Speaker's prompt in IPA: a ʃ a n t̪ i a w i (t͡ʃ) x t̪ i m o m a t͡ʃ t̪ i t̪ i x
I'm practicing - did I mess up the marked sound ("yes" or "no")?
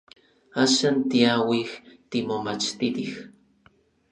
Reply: yes